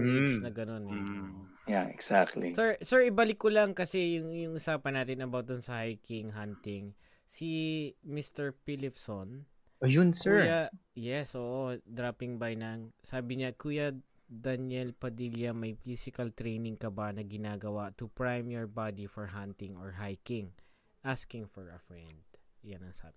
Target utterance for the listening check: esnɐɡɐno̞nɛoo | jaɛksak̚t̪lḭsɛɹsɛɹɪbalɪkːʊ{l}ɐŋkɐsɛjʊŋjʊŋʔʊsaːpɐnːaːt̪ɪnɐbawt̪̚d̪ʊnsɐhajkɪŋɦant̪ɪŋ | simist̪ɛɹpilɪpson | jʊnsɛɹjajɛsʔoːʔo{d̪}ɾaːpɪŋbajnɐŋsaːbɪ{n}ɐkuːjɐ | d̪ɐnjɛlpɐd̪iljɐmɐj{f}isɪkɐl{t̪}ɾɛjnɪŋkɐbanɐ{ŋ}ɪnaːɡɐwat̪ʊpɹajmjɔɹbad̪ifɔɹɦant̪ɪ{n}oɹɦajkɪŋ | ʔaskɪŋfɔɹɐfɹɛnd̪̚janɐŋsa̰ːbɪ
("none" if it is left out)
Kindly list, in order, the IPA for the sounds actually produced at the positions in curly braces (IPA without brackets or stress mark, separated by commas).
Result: l, d̪, ɲ, f, t̪, ɡ, ŋ